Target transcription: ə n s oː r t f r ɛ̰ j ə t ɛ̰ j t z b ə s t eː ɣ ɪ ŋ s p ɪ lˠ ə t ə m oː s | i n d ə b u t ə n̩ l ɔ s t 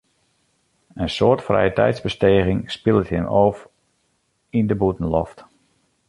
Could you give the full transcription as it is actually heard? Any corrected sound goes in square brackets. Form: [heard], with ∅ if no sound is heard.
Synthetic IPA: ə n s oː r t f r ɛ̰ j ə t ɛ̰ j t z b ə s t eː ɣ ɪ ŋ s p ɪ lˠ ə t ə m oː [f] | i n d ə b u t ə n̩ l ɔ [f] t